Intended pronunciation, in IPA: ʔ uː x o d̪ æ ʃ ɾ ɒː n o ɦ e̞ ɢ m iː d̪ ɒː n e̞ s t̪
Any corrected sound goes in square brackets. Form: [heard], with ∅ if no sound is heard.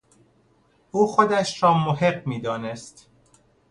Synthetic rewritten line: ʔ uː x o d̪ æ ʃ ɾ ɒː [m] o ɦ e̞ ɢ m iː d̪ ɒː n e̞ s t̪